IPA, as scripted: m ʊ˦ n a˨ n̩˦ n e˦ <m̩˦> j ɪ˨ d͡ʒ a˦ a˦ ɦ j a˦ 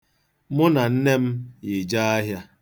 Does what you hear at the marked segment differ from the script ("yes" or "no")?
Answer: no